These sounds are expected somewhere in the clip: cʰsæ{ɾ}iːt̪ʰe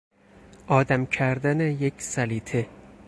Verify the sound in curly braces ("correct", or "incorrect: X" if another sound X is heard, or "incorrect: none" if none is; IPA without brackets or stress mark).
incorrect: l